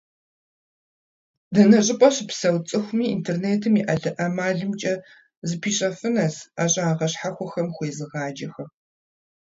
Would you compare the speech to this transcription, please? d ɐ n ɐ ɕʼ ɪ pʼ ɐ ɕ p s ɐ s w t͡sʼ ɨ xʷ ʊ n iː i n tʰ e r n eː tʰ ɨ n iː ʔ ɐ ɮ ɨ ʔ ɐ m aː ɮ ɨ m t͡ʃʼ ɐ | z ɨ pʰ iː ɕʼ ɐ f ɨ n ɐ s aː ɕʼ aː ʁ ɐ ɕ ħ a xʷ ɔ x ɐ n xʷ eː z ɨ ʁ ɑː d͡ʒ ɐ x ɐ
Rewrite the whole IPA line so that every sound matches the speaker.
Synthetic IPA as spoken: d ɐ n ɐ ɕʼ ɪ pʼ ɐ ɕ p s ɐ w t͡sʼ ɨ xʷ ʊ m iː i n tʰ e r n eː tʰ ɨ m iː ʔ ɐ ɮ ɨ ʔ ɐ m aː ɮ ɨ m t͡ʃʼ ɐ | z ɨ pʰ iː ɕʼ ɐ f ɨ n ɐ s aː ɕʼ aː ʁ ɐ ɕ ħ a xʷ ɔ x ɐ m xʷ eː z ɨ ʁ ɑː d͡ʒ ɐ x ɐ